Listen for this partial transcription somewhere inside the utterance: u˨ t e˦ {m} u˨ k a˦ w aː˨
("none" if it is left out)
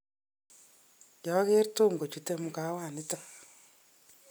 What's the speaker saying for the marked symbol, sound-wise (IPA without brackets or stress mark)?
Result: m